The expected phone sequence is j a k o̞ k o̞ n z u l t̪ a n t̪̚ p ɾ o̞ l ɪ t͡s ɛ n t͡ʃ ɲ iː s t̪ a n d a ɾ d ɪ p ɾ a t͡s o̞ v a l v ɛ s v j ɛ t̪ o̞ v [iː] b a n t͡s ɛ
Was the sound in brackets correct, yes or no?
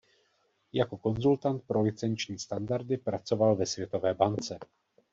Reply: no